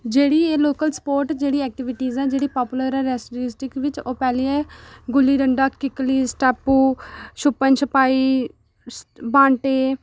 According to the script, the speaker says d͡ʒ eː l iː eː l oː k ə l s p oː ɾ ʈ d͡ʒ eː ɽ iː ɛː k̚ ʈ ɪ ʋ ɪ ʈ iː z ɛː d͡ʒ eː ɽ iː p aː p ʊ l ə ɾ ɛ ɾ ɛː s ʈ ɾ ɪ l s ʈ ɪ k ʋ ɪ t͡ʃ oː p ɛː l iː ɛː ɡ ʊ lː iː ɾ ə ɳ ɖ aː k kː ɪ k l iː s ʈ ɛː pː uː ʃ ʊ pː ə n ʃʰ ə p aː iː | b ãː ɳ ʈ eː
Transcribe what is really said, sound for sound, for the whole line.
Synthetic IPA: d͡ʒ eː ɽ iː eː l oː k ə l s p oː ɾ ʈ d͡ʒ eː ɽ iː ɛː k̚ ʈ ɪ ʋ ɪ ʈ iː z ɛː d͡ʒ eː ɽ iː p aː p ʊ l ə ɾ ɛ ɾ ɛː s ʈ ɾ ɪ s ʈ ɪ k ʋ ɪ t͡ʃ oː p ɛː l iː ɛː ɡ ʊ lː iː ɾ ə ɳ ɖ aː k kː ɪ k l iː s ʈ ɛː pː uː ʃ ʊ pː ə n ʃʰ ə p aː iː | b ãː ɳ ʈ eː